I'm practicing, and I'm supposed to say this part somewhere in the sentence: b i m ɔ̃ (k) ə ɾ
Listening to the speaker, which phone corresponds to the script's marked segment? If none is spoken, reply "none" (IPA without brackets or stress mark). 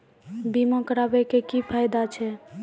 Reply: k